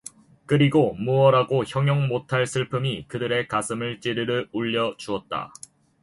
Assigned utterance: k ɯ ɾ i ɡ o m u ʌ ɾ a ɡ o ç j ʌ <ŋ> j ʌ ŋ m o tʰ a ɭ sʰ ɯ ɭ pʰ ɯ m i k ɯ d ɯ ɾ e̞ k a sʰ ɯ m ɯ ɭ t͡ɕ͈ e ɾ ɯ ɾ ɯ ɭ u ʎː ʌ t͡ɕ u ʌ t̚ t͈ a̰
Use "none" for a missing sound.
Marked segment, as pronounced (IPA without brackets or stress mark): ŋ